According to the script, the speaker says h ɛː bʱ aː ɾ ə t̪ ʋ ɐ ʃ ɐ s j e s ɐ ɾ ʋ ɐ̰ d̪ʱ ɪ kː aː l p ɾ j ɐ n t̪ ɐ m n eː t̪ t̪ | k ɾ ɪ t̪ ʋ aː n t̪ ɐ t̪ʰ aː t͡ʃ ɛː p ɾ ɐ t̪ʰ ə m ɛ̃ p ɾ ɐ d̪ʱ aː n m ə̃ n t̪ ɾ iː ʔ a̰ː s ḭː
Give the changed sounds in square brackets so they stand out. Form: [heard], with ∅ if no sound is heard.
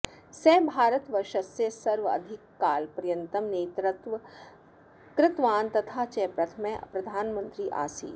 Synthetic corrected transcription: [s] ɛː bʱ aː ɾ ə t̪ ʋ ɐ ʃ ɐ s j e s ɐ ɾ ʋ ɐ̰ d̪ʱ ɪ kː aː l p ɾ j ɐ n t̪ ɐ m n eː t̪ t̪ | k ɾ ɪ t̪ ʋ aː n t̪ ɐ t̪ʰ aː t͡ʃ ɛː p ɾ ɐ t̪ʰ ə m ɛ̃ p ɾ ɐ d̪ʱ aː n m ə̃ n t̪ ɾ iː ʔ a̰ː s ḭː